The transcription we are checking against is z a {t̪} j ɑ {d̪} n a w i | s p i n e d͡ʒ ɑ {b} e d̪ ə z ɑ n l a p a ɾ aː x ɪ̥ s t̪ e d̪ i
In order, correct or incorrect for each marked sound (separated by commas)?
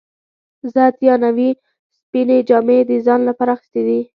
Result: correct, incorrect, incorrect